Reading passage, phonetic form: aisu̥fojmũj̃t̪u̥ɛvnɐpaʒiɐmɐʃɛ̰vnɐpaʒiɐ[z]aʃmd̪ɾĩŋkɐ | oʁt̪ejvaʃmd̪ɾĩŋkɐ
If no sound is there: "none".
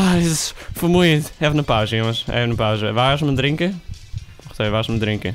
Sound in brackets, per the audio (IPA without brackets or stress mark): v